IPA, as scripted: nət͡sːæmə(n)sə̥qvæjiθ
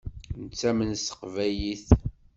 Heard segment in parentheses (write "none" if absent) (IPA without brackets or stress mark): n